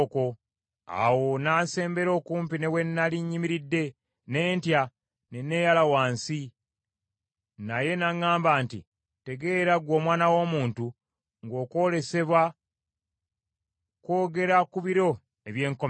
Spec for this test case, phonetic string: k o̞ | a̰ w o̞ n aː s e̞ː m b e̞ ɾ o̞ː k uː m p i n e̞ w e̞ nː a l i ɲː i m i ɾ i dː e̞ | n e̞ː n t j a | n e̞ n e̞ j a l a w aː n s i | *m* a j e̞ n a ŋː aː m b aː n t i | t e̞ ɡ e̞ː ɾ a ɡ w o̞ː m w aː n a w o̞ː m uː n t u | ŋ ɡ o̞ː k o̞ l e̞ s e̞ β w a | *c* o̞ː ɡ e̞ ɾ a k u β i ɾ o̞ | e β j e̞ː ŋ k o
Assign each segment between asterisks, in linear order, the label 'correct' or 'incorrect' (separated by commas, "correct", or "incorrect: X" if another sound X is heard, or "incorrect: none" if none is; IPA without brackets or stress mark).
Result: incorrect: n, incorrect: k